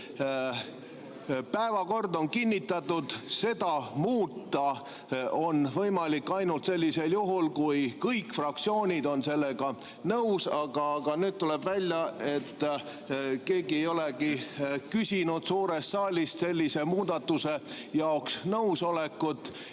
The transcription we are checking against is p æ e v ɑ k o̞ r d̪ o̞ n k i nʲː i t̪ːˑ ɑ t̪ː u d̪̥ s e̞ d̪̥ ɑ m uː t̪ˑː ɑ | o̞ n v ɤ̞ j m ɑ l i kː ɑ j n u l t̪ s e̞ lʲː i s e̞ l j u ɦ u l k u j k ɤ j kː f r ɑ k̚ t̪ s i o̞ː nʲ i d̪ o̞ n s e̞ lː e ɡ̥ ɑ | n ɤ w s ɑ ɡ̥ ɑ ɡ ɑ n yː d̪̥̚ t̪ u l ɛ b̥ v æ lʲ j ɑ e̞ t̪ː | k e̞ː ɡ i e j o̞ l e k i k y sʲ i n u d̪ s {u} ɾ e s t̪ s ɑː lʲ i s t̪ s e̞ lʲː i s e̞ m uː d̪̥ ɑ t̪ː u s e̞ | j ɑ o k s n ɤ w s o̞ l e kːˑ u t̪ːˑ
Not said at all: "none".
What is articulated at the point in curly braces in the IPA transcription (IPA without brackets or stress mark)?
uː